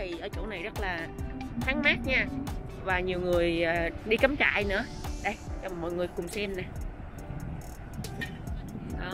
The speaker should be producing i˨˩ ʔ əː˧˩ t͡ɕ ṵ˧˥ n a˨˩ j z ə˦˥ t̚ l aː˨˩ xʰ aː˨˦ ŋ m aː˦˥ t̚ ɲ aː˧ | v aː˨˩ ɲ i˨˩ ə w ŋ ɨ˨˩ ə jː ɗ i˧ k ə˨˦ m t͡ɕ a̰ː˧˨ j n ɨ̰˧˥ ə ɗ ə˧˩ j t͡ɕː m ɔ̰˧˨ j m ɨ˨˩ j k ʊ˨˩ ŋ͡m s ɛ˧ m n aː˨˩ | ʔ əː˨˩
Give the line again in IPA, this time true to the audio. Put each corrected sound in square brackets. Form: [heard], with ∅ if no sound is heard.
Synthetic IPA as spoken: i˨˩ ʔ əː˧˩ t͡ɕ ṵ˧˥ n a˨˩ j z ə˦˥ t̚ l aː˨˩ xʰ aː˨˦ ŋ m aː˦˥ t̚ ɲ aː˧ | v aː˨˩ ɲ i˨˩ ə w ŋ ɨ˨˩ ə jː ɗ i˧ k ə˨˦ m t͡ɕ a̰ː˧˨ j n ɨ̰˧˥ ə ɗ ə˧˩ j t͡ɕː m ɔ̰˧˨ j [ŋ] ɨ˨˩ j k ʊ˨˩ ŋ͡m s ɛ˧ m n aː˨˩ | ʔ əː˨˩